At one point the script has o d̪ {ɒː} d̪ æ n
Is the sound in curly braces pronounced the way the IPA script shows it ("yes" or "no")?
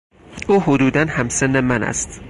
no